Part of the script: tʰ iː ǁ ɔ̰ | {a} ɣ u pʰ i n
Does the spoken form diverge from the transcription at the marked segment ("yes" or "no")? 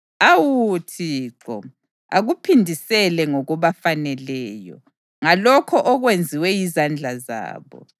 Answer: no